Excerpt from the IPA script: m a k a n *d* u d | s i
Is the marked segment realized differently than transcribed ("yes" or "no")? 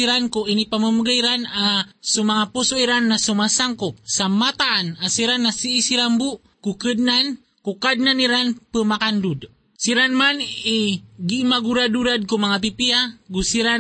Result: no